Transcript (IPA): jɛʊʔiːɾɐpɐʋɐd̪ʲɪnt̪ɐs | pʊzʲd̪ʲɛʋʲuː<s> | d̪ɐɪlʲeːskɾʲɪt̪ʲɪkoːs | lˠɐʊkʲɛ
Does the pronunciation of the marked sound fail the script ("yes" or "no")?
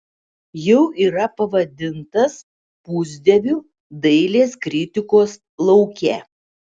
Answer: yes